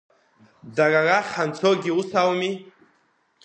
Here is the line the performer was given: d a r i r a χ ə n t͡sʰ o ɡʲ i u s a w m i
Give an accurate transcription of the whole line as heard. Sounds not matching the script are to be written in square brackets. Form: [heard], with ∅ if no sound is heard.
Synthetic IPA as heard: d a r [a] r a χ [a] n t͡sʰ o ɡʲ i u s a w m i